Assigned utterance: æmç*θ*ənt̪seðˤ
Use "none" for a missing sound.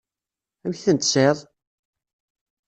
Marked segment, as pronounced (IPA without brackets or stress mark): θ